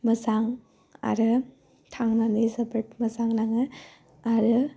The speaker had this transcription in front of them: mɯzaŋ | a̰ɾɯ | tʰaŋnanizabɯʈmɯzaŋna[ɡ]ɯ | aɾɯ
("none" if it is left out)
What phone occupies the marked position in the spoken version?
ŋ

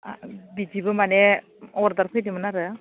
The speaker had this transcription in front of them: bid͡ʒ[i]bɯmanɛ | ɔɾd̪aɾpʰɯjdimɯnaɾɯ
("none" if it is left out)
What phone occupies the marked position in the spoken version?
i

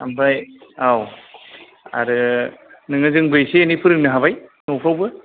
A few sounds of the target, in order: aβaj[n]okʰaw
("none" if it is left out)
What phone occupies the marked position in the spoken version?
n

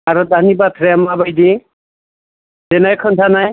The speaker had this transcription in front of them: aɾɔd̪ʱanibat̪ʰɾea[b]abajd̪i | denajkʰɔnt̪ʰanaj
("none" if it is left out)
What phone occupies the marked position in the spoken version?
m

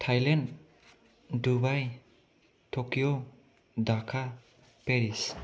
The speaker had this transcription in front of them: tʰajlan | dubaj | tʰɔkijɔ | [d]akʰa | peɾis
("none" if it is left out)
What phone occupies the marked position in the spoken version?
d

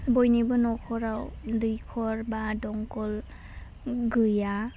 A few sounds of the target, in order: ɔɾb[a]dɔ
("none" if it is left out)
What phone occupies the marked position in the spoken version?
a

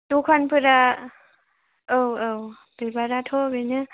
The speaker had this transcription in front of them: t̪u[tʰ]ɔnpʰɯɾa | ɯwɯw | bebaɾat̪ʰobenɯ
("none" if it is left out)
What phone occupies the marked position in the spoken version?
kʰ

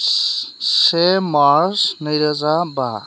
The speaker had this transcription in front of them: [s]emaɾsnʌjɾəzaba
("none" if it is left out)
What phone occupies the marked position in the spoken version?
s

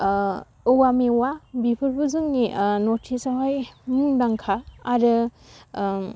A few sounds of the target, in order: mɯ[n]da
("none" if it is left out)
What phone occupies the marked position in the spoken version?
ŋ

